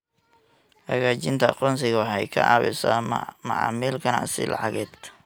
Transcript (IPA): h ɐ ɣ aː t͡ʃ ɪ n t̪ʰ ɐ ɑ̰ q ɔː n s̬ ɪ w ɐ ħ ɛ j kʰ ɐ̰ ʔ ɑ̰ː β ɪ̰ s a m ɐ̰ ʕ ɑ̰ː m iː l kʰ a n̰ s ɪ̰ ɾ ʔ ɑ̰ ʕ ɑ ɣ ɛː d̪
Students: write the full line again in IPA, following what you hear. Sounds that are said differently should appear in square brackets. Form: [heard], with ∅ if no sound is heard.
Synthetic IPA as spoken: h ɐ ɣ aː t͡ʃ ɪ n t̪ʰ ɐ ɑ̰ q ɔː n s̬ ɪ [ɣ] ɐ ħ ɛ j kʰ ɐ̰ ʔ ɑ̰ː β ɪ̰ s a m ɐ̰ ʕ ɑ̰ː m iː l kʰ [ɐ] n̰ s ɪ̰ [l] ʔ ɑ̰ ʕ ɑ ɣ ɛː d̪